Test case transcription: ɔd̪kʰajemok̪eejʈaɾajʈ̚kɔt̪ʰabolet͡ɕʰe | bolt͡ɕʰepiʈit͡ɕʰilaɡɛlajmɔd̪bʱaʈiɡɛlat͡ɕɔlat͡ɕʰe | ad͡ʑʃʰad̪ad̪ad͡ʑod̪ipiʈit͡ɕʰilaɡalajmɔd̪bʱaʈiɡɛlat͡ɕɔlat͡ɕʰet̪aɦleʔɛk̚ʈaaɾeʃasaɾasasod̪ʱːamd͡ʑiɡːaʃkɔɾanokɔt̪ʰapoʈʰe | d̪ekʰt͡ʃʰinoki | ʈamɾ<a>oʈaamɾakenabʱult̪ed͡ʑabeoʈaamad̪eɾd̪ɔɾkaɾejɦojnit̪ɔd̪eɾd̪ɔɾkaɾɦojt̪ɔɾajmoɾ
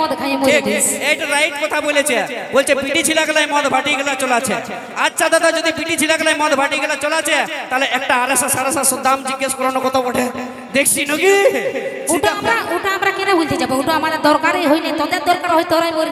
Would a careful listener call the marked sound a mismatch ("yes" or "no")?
no